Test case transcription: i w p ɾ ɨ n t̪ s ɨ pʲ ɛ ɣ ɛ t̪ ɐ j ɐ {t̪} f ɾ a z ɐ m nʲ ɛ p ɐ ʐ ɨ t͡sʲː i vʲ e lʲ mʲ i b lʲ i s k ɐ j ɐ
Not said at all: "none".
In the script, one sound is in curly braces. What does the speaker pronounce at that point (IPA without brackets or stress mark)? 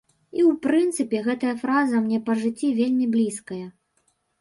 none